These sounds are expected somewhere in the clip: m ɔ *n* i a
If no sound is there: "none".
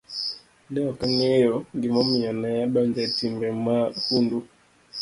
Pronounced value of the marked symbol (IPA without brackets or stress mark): m